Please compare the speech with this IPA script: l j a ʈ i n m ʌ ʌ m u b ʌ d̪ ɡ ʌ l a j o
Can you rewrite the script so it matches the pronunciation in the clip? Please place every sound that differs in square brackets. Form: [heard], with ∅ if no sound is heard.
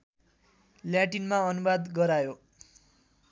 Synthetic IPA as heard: l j a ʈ i n m [a] ʌ [n] u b [a] d̪ ɡ ʌ [ɾ] a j o